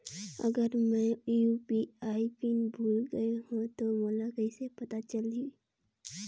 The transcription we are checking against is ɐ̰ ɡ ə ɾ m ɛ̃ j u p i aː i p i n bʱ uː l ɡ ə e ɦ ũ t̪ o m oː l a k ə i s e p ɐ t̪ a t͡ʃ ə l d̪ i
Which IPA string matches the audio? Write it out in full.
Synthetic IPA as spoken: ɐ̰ ɡ ə ɾ m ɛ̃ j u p i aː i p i n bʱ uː l ɡ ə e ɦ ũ t̪ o m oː l a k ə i s e p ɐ t̪ a t͡ʃ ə l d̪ i